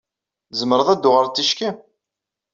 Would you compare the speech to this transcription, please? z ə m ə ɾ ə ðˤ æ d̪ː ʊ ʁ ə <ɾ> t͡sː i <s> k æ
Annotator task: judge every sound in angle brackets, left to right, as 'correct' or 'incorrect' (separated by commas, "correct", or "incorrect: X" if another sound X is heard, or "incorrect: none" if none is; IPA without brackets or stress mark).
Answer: correct, incorrect: ʃ